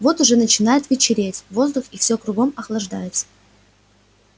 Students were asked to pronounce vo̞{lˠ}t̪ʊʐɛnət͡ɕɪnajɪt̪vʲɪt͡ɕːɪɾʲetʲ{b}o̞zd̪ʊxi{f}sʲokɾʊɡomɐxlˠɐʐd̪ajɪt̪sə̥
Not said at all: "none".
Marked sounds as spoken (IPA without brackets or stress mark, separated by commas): none, v, f